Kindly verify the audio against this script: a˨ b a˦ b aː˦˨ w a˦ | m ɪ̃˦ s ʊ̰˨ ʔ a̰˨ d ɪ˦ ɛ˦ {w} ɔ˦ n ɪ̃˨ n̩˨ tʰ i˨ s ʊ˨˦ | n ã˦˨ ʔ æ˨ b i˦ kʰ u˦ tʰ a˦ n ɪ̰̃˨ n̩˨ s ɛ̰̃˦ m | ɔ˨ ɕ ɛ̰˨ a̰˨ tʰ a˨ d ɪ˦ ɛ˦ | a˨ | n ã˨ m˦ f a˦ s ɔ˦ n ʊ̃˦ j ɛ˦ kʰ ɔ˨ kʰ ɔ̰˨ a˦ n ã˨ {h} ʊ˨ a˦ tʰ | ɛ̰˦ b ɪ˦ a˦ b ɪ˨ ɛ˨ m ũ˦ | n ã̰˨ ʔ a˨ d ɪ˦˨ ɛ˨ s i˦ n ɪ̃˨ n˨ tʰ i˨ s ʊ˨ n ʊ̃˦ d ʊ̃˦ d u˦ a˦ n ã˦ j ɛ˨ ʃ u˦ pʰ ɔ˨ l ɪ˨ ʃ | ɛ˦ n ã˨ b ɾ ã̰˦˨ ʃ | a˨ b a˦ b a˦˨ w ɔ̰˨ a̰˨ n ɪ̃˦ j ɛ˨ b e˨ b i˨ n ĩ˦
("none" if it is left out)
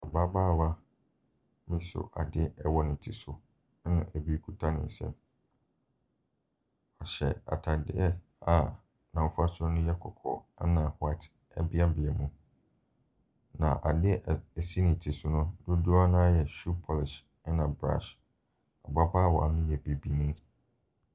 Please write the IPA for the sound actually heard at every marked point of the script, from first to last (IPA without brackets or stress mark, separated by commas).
w, h